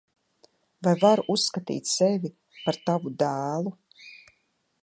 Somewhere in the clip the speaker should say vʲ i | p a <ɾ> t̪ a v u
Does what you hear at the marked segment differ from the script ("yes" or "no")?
no